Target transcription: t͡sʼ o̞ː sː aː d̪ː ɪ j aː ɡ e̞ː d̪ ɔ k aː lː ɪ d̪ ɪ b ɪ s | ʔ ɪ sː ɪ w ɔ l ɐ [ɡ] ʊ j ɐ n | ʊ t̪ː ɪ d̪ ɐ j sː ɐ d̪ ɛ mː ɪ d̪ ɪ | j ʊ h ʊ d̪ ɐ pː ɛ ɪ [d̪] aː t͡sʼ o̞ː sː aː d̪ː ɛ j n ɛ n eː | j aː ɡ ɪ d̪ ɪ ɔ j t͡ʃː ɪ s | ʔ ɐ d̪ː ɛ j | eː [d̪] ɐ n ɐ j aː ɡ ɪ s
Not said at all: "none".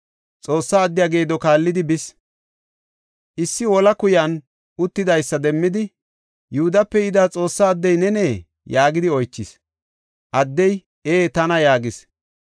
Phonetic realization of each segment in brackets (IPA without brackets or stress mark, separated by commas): k, d̪, t̪